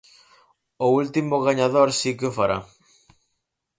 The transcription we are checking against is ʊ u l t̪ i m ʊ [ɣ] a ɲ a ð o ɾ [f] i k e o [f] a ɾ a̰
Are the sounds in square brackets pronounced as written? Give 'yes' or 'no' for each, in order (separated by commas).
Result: yes, no, yes